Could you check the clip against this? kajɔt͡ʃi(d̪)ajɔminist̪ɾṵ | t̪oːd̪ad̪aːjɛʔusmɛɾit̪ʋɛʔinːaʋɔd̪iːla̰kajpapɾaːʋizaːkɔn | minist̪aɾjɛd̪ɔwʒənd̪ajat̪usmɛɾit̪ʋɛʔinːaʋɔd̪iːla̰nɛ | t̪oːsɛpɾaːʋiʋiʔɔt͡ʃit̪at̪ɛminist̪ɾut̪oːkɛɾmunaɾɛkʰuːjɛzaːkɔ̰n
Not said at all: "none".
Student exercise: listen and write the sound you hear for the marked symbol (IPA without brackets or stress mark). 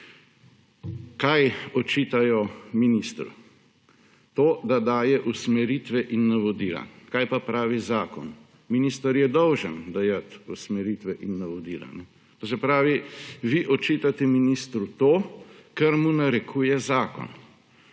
t̪